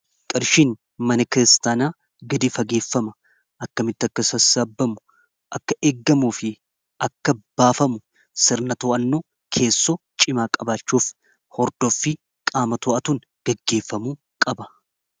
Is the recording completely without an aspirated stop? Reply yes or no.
no